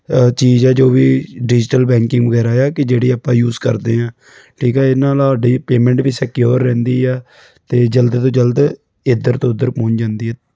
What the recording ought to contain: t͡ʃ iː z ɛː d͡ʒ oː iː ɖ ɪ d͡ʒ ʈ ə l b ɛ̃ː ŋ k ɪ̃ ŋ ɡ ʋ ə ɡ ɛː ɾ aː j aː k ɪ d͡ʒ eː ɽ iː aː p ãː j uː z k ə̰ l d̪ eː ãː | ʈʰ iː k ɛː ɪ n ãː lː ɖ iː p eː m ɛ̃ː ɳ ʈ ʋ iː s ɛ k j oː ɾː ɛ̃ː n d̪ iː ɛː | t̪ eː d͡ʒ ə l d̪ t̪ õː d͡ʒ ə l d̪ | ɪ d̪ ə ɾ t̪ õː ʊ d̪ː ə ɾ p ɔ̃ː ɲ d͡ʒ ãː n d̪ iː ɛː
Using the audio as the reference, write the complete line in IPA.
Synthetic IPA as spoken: t͡ʃ iː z ɛː d͡ʒ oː iː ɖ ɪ d͡ʒ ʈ ə l b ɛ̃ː ŋ k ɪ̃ ŋ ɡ ʋ ə ɡ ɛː ɾ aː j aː k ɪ d͡ʒ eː ɽ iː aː p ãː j uː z k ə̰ ɾ d̪ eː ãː | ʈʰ iː k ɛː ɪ n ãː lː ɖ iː p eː m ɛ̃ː ɳ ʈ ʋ iː s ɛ k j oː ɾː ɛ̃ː n d̪ iː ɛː | t̪ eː d͡ʒ ə l d̪ t̪ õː d͡ʒ ə l d̪ | ɪ d̪ ə ɾ t̪ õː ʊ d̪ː ə ɾ p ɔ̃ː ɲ d͡ʒ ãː n d̪ iː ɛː

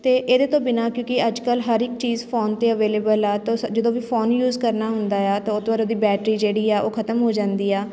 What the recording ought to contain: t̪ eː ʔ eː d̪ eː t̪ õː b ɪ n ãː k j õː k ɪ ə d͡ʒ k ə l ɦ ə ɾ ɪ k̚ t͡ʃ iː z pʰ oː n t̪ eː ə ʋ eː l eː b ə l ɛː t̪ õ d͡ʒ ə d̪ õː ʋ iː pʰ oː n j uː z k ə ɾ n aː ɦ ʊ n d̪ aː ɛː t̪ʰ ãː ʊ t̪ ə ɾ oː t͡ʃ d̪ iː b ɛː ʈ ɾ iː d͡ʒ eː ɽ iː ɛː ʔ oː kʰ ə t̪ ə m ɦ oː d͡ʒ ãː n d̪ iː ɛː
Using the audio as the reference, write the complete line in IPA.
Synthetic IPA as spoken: t̪ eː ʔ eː d̪ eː t̪ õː b ɪ n aː k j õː k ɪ ə d͡ʒ k ə l ɦ ə ɾ ɪ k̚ t͡ʃ iː z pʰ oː n t̪ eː ə ʋ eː l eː b ə l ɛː t̪ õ d͡ʒ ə d̪ õː ʋ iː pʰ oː n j uː z k ə ɾ n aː ɦ ʊ n d̪ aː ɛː t̪ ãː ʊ t̪ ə ɾ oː d̪ iː b ɛː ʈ ɾ iː d͡ʒ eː ɽ iː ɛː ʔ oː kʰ ə t̪ ə m ɦ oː d͡ʒ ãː n d̪ iː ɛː

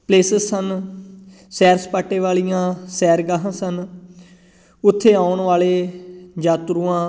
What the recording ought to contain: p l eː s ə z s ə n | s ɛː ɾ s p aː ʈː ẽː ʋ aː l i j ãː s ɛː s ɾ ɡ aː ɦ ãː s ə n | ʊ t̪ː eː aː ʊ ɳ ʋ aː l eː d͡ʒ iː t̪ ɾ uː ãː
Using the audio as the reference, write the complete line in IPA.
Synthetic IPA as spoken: p l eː s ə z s ə n | s ɛː ɾ s p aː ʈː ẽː ʋ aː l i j ãː s ɛː ɾ ɡ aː ɦ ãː s ə n | ʊ t̪ʰː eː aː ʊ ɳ ʋ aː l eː d͡ʒ aː t̪ ɾ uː ãː

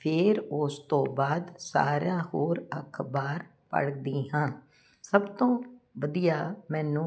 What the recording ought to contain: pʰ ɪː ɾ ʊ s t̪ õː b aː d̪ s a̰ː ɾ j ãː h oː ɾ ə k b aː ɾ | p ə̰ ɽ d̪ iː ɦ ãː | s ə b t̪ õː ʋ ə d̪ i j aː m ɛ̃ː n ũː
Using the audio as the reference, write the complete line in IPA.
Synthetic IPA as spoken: pʰ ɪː ɾ ʊ s t̪ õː b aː d̪ s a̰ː ɾ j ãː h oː ɾ ə kʰ b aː ɾ | p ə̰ ɽ d̪ iː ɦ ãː | s ə b t̪ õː ʋ ə d̪ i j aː m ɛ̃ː n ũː

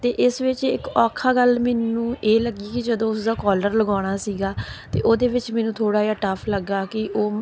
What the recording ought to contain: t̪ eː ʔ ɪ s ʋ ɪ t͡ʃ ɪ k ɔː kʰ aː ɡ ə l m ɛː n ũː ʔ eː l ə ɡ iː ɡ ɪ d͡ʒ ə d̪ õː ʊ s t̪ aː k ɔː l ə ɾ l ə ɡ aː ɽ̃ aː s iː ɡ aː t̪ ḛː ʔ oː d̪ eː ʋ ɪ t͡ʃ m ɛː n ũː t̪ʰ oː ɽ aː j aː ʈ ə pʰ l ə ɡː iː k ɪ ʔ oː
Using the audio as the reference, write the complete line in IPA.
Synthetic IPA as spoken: t̪ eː ʔ ɪ s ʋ ɪ t͡ʃ ɪ k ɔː kʰ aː ɡ ə l m ɛː n ũː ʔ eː l ə ɡ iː k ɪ d͡ʒ ə d̪ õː ʊ s d̪ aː k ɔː l ə ɾ l ə ɡ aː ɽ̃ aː s iː ɡ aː t̪ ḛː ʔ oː d̪ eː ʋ ɪ t͡ʃ m ɛː n ũː t̪ʰ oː ɽ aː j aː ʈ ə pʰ l ə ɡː aː k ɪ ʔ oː

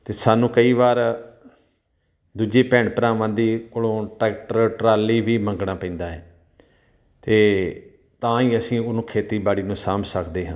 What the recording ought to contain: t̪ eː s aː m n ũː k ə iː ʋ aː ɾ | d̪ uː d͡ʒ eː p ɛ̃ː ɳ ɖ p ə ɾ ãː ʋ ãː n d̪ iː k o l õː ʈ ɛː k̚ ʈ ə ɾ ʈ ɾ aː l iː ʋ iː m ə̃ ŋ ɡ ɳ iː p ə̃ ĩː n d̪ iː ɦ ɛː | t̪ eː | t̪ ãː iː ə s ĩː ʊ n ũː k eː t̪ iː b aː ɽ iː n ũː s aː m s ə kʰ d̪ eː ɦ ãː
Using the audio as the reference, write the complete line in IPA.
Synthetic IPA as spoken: t̪ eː s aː n ũː k ə iː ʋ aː ɾ | d̪ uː d͡ʒ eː p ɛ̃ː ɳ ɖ p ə ɾ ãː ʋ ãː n d̪ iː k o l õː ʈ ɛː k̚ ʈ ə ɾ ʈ ɾ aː l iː ʋ iː m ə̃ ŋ ɡ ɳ aː p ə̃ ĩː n d̪ aː ɦ ɛː | t̪ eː | t̪ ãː iː ə s ĩː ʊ n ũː kʰ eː t̪ iː b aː ɽ iː n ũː s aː m s ə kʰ d̪ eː ɦ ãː

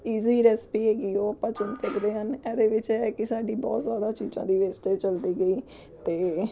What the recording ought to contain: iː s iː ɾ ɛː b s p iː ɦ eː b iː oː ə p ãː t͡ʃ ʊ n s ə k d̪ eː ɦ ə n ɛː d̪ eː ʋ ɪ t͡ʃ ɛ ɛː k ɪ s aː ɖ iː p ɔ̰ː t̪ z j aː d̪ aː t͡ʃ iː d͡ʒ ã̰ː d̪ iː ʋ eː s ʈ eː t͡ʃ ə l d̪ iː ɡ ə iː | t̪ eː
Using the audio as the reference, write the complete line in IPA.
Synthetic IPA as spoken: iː z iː ɾ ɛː s p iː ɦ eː ɡ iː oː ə p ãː t͡ʃ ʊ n s ə k d̪ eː ɦ ə n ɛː d̪ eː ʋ ɪ t͡ʃ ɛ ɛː k ɪ s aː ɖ iː b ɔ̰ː t̪ z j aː d̪ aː t͡ʃ iː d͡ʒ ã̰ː d̪ iː ʋ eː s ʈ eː t͡ʃ ə l d̪ iː ɡ ə iː | t̪ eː

